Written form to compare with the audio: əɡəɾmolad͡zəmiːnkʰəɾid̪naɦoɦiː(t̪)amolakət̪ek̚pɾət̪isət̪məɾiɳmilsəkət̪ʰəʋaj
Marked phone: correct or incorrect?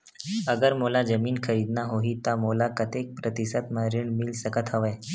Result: correct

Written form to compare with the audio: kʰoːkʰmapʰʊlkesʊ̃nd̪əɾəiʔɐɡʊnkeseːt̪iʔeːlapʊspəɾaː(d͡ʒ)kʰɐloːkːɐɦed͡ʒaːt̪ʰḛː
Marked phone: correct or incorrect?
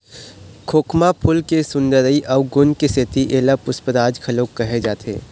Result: correct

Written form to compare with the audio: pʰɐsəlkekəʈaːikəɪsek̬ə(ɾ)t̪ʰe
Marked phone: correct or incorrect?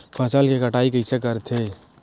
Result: correct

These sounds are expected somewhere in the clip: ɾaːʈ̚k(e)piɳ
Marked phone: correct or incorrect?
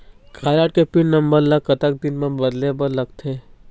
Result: correct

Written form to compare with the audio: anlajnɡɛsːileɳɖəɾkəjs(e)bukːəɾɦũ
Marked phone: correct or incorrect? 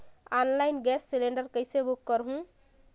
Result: correct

